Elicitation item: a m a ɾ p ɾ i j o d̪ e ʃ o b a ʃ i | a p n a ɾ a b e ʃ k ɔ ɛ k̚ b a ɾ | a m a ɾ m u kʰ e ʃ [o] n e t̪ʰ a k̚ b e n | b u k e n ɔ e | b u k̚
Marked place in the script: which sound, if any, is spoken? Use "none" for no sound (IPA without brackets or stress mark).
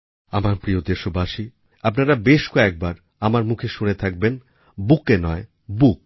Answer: u